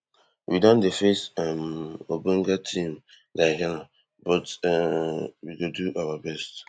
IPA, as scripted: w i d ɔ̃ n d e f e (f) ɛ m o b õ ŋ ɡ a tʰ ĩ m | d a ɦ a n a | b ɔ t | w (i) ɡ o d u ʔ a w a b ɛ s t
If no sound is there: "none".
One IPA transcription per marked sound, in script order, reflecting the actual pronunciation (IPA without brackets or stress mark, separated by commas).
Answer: s, i